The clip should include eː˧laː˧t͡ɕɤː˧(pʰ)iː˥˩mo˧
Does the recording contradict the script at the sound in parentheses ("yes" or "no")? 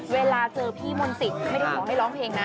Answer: no